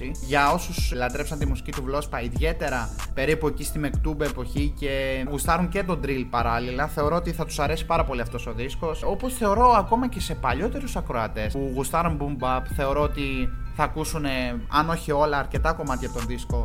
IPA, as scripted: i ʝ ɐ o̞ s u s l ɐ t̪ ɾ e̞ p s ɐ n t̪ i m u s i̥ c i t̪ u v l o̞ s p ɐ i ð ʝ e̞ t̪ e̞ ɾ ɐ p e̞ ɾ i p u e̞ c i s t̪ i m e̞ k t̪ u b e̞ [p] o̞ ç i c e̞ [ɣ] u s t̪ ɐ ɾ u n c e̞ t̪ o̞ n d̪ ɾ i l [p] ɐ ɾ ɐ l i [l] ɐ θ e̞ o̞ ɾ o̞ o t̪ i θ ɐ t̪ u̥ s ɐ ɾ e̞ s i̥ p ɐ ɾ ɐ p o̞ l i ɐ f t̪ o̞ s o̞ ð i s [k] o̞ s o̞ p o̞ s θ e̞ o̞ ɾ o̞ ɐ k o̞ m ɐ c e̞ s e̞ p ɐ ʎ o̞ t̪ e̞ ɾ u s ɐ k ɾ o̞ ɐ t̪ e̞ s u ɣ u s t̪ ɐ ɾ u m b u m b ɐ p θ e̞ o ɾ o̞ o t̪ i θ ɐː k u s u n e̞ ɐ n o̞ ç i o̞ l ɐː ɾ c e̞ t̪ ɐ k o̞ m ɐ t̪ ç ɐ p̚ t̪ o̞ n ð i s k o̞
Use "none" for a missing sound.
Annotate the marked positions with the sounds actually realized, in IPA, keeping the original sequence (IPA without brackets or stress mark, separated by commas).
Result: p, ɣ, p, l, k